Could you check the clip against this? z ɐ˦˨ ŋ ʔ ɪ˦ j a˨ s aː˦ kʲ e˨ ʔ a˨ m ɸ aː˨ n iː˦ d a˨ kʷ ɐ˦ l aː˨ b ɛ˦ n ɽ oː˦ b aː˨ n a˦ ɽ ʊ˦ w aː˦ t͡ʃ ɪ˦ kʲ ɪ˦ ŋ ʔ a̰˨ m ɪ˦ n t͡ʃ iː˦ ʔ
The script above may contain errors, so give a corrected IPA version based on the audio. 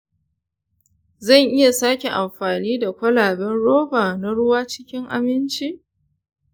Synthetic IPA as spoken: z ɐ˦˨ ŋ ʔ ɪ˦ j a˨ s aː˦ kʲ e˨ ʔ a˨ m ɸ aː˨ n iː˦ d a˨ kʷ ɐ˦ l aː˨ b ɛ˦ n ɽ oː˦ b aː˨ n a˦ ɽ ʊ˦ w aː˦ t͡ʃ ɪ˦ kʲ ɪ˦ ŋ ʔ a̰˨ m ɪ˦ n t͡ʃ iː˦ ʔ